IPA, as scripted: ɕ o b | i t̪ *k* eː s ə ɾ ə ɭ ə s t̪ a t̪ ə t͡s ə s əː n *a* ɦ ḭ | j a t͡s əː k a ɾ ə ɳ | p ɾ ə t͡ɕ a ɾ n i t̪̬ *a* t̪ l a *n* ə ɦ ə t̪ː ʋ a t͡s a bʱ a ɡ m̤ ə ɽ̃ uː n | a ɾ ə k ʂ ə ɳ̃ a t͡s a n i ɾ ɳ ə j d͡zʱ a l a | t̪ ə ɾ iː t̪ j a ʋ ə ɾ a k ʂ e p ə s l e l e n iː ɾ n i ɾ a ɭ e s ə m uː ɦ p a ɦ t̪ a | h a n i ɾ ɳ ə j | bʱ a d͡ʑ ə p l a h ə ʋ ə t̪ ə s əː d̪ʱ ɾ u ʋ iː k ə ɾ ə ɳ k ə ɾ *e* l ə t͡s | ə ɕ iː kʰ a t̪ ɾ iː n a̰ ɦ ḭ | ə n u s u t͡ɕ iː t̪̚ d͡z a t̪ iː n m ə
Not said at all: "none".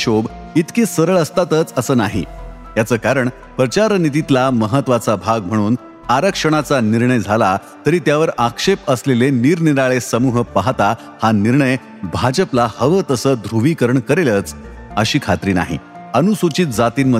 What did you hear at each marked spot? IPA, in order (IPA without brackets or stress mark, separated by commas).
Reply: k, a, i, m, e